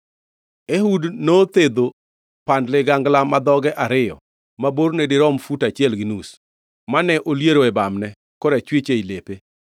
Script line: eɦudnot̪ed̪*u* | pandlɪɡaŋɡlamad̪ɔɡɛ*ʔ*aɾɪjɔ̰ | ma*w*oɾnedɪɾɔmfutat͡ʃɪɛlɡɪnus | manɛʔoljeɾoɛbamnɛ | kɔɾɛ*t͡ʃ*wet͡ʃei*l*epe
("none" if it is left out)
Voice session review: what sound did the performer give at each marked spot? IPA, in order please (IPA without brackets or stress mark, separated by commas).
o, ʔ, b, t͡ʃ, l